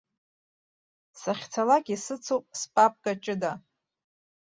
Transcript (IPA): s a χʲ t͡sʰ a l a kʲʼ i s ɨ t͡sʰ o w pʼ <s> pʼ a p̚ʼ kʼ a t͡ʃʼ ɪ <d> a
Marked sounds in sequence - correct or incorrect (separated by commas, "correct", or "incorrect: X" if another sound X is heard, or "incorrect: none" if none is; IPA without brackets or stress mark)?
correct, correct